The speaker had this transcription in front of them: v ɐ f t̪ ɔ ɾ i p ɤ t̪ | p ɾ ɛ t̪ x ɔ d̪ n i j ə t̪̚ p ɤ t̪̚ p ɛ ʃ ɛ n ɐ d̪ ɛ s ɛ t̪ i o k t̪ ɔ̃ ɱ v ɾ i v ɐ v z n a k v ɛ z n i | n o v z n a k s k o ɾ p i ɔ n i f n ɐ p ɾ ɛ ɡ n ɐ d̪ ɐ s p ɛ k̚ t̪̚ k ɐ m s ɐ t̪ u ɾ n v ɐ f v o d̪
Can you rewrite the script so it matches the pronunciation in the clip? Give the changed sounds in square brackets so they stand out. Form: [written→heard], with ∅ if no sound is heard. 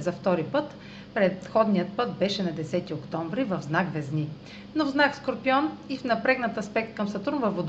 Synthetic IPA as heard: [v→z] ɐ f t̪ ɔ ɾ i p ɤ t̪ | p ɾ ɛ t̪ x ɔ d̪ n i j ə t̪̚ p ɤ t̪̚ [p→b] ɛ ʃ ɛ n ɐ d̪ ɛ s ɛ t̪ i o k t̪ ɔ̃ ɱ v ɾ i v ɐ v z n a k v ɛ z n i | n o v z n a k s k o ɾ p i ɔ n i f n ɐ p ɾ ɛ ɡ n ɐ [d̪→t̪] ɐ s p ɛ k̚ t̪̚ k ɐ m s ɐ t̪ u ɾ n v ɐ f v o d̪